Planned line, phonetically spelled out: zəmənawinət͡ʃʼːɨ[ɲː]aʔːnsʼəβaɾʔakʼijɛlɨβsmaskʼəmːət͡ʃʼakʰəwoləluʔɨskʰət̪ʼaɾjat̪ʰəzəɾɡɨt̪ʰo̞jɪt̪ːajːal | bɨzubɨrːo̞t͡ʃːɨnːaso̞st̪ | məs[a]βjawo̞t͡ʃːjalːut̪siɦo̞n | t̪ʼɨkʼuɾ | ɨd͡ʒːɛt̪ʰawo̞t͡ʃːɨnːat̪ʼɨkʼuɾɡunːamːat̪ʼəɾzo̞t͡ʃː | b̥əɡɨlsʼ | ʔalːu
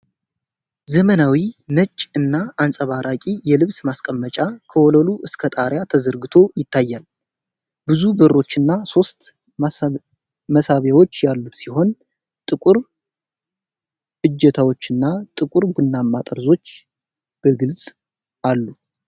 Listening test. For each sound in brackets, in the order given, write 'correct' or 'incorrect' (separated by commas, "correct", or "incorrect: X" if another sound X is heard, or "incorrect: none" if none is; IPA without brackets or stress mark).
incorrect: nː, correct